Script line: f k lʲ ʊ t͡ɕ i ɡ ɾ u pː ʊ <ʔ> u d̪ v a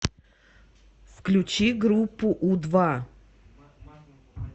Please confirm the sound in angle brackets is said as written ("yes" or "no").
yes